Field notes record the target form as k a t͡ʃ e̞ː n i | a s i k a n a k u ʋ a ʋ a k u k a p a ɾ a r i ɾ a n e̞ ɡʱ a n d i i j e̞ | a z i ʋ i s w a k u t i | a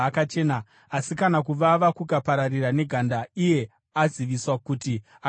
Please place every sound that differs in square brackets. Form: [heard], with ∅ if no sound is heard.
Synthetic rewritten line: k a t͡ʃ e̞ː n [a] | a s i k a n a k u ʋ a ʋ a k u k a p a ɾ a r i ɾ a n e̞ ɡʱ a n d [a] i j e̞ | a z i ʋ i s w a k u t i | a